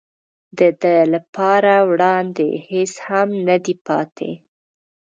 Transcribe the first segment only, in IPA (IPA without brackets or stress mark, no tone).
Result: d̪